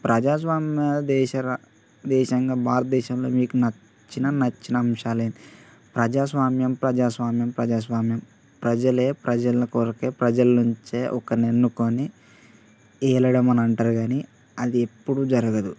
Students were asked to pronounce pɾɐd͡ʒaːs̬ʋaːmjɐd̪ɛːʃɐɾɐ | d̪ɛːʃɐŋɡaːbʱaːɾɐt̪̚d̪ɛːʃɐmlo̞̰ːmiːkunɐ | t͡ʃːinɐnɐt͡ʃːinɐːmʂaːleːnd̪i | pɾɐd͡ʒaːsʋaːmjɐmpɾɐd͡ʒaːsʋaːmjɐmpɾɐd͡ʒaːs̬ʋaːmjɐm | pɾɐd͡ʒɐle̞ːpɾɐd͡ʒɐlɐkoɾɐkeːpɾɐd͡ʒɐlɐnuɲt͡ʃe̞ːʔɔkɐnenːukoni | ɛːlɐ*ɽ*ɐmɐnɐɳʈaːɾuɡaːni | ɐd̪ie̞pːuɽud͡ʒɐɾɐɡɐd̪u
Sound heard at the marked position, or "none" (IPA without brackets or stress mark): ɽ